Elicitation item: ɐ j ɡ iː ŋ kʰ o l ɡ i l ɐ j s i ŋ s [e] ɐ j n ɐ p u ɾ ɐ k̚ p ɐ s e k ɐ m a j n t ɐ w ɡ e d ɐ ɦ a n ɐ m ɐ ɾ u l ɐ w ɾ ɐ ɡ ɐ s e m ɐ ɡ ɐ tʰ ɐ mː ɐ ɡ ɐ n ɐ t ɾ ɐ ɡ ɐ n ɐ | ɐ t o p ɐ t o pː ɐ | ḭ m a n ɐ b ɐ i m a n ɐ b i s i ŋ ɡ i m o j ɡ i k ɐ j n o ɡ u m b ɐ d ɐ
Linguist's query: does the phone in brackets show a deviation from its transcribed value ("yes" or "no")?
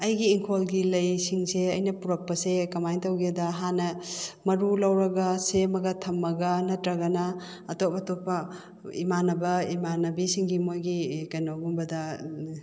no